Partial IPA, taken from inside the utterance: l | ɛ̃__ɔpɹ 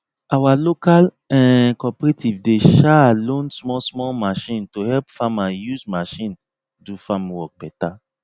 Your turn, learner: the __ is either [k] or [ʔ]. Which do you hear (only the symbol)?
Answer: k